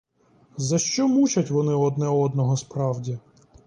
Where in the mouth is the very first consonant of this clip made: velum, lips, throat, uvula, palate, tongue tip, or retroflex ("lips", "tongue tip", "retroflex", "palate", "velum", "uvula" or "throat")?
tongue tip